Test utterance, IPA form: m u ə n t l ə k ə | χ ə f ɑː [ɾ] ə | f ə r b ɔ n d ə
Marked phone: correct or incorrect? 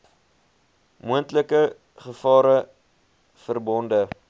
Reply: correct